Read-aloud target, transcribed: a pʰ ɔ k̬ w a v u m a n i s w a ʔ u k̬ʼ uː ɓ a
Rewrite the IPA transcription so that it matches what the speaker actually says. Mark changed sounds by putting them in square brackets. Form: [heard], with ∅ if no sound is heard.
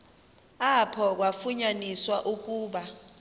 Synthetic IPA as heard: a pʰ ɔ k̬ w a [f] u [ɲ] a n i s w a ʔ u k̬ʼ uː ɓ a